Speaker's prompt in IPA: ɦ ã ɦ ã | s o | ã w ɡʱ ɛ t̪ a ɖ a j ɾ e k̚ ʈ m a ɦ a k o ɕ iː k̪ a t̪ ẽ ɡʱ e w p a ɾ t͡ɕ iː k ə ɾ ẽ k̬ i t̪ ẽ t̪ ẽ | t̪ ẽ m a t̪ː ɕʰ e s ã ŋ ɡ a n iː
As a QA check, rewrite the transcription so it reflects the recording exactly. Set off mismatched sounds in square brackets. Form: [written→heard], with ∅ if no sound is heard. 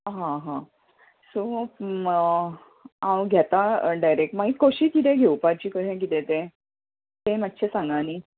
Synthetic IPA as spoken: ɦ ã ɦ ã | s o | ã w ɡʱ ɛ t̪ a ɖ a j ɾ e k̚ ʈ m a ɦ [a→i] k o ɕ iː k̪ [a→i] t̪ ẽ ɡʱ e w p a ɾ t͡ɕ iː k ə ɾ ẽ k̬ i t̪ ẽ t̪ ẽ | t̪ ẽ m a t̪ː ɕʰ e s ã ŋ ɡ a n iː